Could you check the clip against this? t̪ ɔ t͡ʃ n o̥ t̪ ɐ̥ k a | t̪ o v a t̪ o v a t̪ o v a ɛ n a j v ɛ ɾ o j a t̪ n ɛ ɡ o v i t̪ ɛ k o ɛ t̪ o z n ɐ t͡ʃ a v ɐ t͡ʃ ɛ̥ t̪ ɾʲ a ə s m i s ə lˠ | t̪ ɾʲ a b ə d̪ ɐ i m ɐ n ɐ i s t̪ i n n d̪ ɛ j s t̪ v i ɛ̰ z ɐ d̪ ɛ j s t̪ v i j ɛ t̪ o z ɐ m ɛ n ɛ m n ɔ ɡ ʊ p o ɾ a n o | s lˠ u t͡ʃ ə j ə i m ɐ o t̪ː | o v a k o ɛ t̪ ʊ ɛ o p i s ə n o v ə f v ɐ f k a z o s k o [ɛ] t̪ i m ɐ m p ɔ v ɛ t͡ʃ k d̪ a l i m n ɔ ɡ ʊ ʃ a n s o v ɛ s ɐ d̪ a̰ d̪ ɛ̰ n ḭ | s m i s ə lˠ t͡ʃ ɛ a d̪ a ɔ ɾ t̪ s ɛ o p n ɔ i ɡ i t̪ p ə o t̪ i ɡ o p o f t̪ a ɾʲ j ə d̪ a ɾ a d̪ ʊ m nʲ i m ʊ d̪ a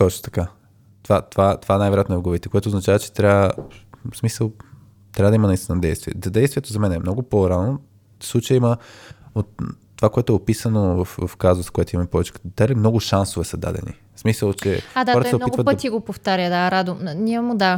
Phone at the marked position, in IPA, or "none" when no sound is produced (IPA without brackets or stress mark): ɛ